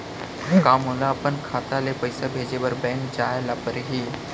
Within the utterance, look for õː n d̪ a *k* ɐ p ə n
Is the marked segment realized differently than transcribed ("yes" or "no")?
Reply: yes